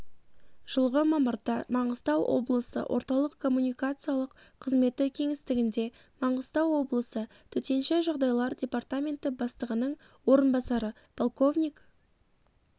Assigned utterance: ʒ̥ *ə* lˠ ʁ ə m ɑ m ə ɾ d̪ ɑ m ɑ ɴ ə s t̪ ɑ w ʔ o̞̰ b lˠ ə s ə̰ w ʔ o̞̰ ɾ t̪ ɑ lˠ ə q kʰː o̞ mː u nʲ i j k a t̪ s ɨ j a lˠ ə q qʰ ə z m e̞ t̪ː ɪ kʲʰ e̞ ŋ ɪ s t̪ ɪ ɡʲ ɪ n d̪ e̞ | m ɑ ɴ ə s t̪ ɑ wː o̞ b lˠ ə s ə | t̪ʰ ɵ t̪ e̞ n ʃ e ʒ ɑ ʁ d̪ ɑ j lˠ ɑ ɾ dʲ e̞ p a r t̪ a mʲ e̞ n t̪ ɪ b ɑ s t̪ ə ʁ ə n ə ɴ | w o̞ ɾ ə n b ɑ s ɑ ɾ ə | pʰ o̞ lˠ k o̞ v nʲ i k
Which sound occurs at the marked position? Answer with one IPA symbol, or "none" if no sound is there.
ə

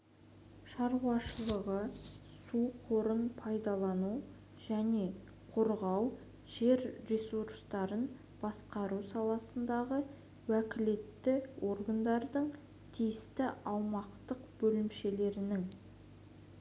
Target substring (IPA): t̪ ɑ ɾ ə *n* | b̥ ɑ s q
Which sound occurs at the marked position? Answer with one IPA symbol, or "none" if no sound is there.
n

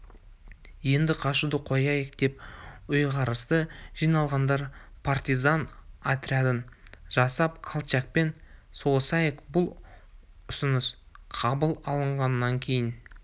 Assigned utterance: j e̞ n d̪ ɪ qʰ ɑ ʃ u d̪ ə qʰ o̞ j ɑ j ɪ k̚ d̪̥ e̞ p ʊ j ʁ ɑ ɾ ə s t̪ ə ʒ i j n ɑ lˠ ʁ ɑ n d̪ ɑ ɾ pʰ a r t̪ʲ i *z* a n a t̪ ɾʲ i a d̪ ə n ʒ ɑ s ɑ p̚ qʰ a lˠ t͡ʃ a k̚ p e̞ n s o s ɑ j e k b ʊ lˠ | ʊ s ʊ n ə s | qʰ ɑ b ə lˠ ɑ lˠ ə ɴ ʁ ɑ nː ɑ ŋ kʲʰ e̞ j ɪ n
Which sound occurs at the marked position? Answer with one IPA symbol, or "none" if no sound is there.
z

